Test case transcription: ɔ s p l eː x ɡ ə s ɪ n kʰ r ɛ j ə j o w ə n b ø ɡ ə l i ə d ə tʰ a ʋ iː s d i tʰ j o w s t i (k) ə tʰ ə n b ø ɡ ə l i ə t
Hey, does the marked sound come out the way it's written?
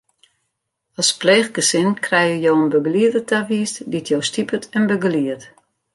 no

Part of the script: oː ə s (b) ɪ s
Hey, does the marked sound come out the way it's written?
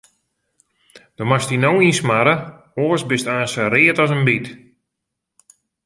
yes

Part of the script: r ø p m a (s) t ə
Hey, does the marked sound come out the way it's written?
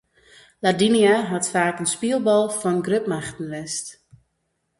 no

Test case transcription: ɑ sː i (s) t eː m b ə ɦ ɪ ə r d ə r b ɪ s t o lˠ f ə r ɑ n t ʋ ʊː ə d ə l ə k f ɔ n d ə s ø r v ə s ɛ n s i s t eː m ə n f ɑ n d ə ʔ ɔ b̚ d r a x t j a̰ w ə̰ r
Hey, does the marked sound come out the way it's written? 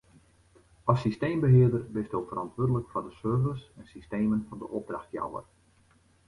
yes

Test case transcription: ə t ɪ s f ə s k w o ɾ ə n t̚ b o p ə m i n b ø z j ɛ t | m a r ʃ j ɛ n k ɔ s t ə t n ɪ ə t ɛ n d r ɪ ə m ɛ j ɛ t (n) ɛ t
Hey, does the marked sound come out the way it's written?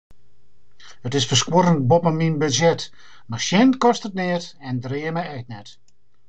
yes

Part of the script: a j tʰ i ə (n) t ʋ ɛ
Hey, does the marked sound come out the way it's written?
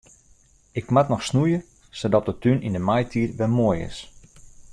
no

